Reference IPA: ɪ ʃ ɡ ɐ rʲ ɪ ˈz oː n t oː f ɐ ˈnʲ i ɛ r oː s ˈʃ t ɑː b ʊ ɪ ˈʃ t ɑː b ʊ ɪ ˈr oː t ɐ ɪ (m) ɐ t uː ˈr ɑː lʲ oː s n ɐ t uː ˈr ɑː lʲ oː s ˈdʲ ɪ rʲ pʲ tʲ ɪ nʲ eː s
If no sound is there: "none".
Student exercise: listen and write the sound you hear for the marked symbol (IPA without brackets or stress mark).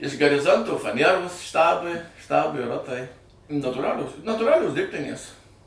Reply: n